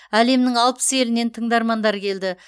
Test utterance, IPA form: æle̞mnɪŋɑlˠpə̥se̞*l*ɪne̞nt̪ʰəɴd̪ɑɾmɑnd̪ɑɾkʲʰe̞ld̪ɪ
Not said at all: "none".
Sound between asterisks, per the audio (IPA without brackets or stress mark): l